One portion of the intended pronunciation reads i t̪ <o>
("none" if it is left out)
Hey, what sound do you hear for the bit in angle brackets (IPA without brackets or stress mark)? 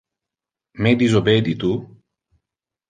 u